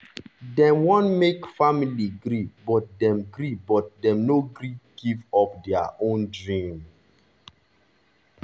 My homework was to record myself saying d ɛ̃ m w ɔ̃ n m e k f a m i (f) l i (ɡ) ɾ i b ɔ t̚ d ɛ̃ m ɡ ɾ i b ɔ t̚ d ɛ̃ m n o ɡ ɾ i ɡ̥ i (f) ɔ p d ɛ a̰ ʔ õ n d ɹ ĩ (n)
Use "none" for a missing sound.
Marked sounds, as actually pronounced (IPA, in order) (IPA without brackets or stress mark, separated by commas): none, ɡ, v, m